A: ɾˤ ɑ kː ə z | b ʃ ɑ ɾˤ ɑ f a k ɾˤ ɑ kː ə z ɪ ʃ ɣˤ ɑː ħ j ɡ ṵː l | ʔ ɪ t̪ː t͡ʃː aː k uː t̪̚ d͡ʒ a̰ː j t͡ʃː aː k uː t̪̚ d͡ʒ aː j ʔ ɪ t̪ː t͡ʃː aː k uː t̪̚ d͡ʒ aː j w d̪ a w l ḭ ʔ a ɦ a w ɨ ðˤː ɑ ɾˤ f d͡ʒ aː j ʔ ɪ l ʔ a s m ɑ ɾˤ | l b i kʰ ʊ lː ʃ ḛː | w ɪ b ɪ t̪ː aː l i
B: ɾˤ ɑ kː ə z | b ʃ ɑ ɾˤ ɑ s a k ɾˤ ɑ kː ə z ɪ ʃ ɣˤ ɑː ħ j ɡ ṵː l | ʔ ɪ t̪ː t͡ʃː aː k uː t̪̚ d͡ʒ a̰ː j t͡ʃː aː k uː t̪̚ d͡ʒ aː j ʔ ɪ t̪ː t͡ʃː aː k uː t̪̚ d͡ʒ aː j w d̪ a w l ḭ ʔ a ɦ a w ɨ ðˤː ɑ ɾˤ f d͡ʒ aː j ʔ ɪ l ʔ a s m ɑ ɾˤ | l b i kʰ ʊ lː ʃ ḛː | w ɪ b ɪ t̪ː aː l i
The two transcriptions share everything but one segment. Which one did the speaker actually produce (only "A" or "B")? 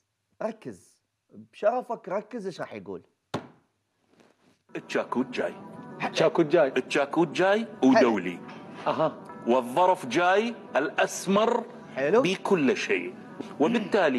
A